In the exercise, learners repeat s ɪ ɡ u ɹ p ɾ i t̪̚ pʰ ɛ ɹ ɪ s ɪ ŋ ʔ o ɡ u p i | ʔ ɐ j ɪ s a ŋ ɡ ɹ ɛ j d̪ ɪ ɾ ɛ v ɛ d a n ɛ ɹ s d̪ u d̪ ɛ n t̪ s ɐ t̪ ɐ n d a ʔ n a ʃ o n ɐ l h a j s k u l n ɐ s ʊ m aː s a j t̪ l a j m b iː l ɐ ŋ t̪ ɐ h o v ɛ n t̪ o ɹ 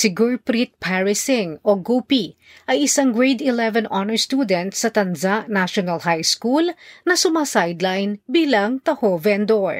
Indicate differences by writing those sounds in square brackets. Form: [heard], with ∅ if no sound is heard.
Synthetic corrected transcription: s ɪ ɡ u ɹ p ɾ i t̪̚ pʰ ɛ ɹ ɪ s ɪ ŋ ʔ o ɡ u p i | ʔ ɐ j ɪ s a ŋ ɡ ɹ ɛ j d̪ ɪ [l] ɛ v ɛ [n] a n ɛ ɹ s [t̪] u d̪ ɛ n t̪ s ɐ t̪ ɐ n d a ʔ n a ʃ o n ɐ l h a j s k u l n ɐ s ʊ m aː s a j [d̪] l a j [n] b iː l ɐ ŋ t̪ ɐ h o v ɛ n [d̪] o ɹ